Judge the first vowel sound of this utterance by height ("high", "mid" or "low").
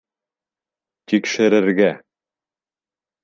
high